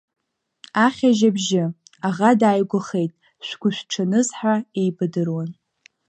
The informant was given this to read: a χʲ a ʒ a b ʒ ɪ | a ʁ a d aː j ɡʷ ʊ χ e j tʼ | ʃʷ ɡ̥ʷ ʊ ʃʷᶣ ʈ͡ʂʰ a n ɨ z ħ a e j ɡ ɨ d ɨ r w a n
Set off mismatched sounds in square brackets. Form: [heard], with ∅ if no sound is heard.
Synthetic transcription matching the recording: a χʲ a ʒ a b ʒ ɪ | a ʁ a d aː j ɡʷ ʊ χ e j tʼ | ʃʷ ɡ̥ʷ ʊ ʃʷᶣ ʈ͡ʂʰ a n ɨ z ħ a e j [b] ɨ d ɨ r w a n